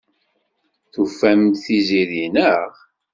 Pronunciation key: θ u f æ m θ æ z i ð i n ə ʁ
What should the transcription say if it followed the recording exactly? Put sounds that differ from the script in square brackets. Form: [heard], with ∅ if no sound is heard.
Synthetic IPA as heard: θ u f æ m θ [i] z i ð i n ə ʁ